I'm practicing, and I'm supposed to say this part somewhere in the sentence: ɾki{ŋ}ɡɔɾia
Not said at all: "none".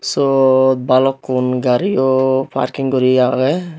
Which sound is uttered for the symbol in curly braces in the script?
ŋ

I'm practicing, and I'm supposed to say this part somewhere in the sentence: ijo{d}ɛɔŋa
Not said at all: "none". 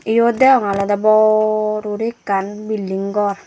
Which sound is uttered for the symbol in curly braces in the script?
d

